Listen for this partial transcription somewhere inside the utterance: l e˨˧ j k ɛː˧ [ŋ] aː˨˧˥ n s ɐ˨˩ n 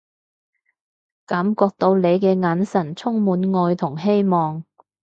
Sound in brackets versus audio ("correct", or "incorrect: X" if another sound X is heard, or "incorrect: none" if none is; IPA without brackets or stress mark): correct